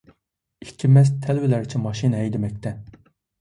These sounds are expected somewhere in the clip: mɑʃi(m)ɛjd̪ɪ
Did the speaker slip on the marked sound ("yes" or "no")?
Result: yes